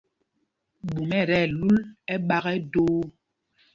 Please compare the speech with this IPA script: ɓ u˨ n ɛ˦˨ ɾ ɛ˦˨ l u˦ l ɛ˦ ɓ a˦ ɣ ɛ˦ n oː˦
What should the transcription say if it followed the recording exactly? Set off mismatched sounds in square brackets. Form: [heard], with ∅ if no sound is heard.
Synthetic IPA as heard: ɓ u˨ [m] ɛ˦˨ ɾ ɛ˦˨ l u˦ l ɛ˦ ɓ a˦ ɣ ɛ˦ [d] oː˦

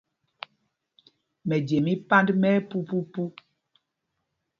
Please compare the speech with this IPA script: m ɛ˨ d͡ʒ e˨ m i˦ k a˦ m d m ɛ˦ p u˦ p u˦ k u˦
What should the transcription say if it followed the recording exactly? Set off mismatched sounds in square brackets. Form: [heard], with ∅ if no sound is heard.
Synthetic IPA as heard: m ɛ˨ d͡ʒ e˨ m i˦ [p] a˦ [n] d m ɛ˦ p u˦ p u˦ [p] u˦

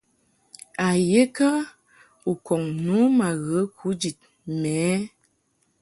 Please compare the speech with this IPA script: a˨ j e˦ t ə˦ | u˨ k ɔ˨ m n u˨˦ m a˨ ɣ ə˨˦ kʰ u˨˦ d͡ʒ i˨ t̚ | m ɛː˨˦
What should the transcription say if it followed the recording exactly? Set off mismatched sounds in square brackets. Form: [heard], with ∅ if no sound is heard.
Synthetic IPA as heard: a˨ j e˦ [k] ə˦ | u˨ k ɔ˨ [ŋ] n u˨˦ m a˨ ɣ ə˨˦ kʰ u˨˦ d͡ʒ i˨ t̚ | m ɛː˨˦

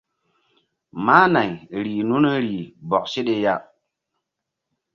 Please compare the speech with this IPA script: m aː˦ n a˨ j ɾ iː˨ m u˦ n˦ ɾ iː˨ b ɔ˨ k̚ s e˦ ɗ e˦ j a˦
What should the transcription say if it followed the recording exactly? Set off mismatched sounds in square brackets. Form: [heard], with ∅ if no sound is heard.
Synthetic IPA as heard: m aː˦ n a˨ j ɾ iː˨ [n] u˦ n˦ ɾ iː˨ b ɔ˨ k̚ s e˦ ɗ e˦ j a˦

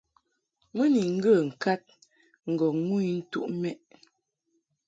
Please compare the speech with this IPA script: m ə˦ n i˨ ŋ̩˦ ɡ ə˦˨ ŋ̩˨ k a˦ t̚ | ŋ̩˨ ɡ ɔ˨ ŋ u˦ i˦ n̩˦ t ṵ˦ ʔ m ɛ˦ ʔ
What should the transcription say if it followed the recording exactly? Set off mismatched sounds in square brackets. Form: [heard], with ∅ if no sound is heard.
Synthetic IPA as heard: m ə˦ n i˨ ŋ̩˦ ɡ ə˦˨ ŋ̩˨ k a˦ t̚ | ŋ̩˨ ɡ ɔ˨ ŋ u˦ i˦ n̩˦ t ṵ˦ ʔ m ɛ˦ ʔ

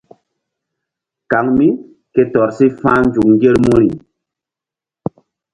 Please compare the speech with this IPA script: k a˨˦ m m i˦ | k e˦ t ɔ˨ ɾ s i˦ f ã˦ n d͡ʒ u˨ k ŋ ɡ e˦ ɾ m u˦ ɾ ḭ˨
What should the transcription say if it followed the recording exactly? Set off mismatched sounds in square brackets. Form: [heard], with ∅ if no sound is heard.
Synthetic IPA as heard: k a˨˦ [ŋ] m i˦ | k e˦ t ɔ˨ ɾ s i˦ f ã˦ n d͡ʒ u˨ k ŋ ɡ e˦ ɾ m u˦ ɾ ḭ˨

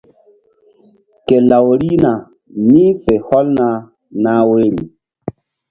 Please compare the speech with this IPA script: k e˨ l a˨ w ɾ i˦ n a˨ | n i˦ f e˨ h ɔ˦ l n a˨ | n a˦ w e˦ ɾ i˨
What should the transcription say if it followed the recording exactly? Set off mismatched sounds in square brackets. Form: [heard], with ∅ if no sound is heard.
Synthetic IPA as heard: k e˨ l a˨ w ɾ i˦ n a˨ | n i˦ f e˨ h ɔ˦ l n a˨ | n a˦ w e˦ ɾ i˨

